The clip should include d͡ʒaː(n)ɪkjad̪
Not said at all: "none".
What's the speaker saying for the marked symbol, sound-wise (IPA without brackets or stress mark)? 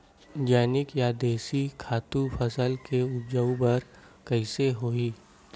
n